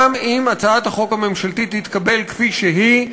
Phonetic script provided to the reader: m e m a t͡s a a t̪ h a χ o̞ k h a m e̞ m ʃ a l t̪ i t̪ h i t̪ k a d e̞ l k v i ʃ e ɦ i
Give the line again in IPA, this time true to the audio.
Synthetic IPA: m i m a t͡s a a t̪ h a χ o̞ k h a m e̞ m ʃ a l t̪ i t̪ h i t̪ k a b e̞ l k f i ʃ e ɦ i

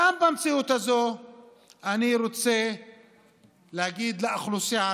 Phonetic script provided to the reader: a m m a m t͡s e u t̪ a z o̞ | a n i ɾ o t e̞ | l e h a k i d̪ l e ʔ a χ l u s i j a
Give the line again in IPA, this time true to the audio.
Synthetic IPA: a m b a m t͡s i u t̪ a z o̞ | a n i ɾ o t͡s e̞ | l e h a ɡ i d̪ l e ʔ a χ l u s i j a

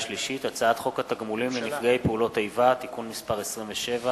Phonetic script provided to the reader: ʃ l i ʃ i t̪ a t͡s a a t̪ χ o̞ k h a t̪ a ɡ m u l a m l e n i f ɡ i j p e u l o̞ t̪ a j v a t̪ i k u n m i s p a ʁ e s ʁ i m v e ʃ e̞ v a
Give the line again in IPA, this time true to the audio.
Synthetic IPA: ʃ l i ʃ i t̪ a t͡s a a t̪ χ o̞ k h a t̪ a ɡ m u l i m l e n i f ɡ e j p e u l o̞ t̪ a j v a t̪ i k u n m i s p a ʁ e s ʁ i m v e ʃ e̞ v a

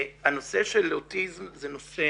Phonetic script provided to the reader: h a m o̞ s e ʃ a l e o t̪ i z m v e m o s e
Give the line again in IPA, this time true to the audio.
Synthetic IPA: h a n o̞ s e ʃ e l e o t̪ i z m z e n o s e

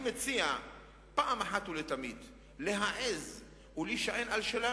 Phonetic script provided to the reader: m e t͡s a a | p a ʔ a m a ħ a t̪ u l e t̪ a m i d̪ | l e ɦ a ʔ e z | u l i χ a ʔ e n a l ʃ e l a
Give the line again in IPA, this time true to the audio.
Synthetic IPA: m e t͡s i a | p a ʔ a m a ħ a t̪ u l e t̪ a m i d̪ | l e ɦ a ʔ e z | u l i ʃ a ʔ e n a l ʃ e l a

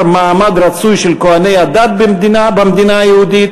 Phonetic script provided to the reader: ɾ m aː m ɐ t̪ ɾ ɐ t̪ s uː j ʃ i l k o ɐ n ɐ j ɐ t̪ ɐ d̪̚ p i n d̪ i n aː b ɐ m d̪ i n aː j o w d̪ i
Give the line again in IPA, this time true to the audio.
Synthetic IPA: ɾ m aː m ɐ d̪ ɾ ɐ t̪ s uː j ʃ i l k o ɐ n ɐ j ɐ d̪ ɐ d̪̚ b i m d̪ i n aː b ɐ m d̪ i n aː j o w d̪ i

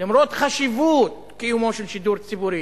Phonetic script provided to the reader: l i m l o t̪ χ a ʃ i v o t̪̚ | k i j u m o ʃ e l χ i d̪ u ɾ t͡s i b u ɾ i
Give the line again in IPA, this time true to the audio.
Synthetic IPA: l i m ɾ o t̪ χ a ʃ i v u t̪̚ | k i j u m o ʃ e l ʃ i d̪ u ɾ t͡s i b u ɾ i

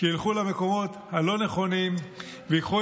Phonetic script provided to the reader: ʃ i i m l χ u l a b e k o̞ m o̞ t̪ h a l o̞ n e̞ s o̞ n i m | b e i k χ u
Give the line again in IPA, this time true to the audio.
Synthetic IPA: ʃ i i l χ u l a m e k o̞ m o̞ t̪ h a l o̞ n e̞ χ o̞ n i m | v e i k χ u

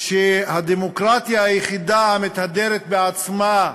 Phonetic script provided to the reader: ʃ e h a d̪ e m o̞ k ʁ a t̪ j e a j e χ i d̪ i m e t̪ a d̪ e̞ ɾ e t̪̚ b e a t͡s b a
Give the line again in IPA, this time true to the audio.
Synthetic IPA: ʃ e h a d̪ e m o̞ k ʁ a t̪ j a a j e χ i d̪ a m e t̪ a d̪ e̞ ɾ e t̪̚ b e a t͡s m a

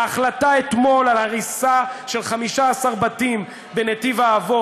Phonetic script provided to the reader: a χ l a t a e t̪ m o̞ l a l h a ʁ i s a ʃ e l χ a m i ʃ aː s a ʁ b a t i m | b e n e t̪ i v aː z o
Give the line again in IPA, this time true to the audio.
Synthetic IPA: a χ l a t a e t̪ m o̞ l a l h a ʁ i s a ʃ e l χ a m i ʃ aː s a ʁ b a t i m | b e n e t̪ i v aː v o

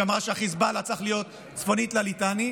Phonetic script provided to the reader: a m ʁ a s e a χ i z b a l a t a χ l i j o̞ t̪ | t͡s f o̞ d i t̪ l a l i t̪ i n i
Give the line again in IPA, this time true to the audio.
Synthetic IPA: a m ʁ a ʃ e a χ i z b a l a t͡s a χ l i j o̞ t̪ | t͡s f o̞ n i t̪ l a l i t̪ a n i

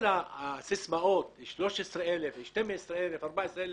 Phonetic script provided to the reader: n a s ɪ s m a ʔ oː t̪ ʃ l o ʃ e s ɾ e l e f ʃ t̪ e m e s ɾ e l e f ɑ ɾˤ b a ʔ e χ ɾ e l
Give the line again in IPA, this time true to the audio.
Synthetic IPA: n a s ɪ s m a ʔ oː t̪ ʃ l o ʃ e s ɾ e l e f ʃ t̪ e m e s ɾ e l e f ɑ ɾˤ b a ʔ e s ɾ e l

